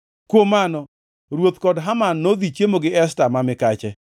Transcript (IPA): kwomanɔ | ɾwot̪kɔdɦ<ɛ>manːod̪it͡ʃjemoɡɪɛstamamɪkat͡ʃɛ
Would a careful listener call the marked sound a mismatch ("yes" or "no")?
yes